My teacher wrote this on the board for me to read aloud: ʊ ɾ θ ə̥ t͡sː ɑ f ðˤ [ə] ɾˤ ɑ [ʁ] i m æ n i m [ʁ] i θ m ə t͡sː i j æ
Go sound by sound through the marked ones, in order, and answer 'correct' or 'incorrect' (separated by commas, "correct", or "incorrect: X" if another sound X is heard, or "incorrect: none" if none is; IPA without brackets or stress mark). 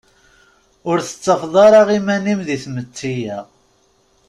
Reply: incorrect: ɑ, correct, incorrect: ð